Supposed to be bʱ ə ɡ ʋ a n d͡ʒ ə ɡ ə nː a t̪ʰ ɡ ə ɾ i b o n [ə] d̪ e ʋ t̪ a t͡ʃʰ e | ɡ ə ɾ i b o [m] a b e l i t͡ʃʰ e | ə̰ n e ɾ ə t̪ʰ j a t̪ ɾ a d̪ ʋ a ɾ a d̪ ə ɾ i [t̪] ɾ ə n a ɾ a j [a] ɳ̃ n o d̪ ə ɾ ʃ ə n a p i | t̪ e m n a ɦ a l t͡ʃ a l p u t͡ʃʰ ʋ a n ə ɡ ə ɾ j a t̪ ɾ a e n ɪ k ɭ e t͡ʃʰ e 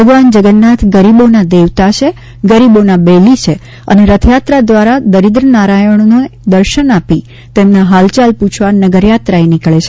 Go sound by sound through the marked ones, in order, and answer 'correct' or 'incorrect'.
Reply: incorrect: a, incorrect: n, incorrect: d̪, incorrect: ə

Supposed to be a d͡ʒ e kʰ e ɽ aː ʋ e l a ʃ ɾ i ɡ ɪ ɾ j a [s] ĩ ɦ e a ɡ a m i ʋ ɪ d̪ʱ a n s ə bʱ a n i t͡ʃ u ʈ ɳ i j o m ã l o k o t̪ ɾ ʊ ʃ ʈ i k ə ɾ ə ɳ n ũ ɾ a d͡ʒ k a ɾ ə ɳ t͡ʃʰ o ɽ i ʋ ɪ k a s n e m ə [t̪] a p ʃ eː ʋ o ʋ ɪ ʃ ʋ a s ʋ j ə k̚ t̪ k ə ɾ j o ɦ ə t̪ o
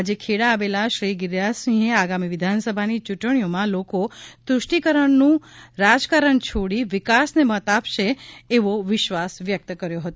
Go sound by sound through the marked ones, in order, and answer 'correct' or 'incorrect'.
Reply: correct, correct

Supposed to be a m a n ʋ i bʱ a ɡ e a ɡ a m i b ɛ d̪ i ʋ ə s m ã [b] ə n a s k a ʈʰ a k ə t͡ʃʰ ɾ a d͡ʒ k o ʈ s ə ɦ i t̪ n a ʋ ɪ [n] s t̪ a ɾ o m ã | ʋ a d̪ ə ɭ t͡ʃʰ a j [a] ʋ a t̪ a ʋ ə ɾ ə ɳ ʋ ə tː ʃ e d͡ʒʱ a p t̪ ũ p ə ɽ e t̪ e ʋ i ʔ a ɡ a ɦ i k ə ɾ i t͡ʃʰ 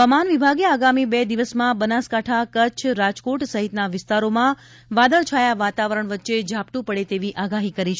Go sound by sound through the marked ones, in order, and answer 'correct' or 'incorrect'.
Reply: correct, incorrect: none, correct

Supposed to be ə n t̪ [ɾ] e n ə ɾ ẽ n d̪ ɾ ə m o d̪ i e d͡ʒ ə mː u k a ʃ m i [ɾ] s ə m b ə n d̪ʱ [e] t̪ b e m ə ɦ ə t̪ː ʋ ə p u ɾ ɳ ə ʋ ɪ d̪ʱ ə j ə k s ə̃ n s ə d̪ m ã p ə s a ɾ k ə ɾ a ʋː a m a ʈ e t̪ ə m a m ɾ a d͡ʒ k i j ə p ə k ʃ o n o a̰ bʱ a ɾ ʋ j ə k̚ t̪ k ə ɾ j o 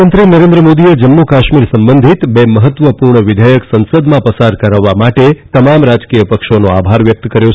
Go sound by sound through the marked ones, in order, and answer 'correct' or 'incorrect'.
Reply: correct, correct, incorrect: i

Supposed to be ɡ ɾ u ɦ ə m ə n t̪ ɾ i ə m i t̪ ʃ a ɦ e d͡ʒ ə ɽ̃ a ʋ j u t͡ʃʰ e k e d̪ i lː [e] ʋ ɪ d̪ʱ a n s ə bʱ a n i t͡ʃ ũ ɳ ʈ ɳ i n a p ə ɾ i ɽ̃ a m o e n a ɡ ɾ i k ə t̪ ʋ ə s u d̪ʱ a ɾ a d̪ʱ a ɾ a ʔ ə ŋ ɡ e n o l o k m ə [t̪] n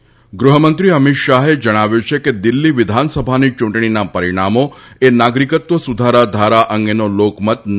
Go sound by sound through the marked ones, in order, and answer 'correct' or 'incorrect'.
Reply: incorrect: i, correct

